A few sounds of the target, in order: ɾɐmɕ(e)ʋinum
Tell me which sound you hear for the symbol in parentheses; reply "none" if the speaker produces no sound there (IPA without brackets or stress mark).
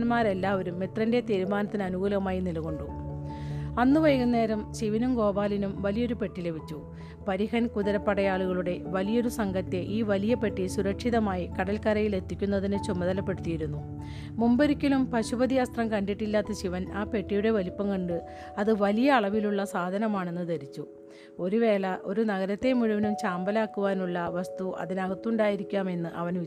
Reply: i